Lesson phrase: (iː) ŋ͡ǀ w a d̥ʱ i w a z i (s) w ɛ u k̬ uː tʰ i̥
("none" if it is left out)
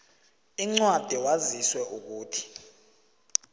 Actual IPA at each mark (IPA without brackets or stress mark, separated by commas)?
i, s